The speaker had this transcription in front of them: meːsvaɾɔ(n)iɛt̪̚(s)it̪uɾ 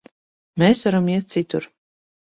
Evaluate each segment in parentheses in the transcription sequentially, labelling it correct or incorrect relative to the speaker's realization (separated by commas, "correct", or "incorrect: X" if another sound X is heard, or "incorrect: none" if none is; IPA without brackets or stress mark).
incorrect: m, correct